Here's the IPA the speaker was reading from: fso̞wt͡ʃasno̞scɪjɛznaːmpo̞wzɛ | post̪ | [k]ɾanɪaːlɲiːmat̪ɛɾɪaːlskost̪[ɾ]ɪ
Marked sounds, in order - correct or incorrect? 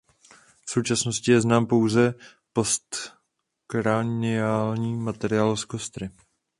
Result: correct, correct

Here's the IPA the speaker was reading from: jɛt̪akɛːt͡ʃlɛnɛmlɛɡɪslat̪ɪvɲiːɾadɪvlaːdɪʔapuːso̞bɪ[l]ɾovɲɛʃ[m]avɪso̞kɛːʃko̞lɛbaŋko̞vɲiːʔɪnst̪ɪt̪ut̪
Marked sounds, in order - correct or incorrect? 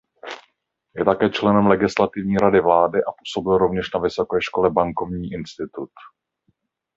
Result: correct, incorrect

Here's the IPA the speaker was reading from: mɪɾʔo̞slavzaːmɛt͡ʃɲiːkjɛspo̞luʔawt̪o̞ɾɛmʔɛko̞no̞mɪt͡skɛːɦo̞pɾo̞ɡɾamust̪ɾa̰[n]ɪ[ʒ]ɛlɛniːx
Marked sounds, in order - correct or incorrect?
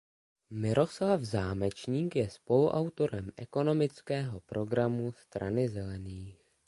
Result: correct, incorrect

